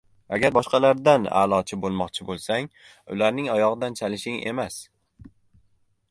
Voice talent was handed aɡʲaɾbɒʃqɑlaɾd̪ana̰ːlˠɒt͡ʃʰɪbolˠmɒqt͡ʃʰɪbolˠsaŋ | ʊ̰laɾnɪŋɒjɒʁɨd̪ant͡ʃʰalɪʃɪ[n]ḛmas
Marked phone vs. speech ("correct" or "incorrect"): incorrect